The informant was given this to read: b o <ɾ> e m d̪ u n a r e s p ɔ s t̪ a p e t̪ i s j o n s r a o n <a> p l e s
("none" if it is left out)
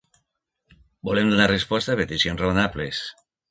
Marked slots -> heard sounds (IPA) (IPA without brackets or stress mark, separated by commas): l, a